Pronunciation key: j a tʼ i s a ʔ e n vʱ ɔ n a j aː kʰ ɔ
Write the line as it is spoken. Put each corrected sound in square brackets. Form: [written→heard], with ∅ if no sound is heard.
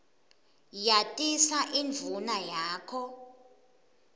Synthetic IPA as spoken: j a tʼ i s a ʔ [e→i] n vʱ [ɔ→u] n a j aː kʰ ɔ